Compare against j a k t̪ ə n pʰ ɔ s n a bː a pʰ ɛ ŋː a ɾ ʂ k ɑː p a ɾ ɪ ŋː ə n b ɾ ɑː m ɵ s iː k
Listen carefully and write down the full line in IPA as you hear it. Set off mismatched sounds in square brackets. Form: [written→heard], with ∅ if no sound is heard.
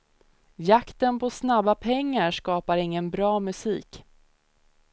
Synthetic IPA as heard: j a k t̪ ə n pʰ ɔ s n a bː a pʰ ɛ ŋː a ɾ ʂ k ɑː p a ɾ ɪ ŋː ə n b ɾ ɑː m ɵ s iː k